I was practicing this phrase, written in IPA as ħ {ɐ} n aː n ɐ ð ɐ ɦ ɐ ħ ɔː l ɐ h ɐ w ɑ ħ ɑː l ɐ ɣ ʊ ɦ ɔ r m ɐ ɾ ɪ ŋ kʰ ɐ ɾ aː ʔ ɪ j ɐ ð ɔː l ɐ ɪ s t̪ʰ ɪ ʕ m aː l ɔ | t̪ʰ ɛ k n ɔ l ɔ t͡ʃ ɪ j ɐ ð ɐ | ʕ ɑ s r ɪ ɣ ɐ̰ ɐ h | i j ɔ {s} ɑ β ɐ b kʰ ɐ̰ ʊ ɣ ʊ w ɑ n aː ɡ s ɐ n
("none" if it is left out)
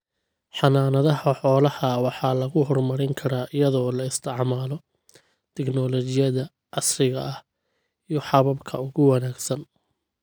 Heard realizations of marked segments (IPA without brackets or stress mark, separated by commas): ɑ, ħ